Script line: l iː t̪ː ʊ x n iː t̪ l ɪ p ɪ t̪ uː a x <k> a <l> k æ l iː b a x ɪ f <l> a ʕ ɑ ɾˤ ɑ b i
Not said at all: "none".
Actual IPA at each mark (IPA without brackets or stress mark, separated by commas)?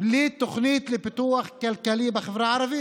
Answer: k, l, ɾ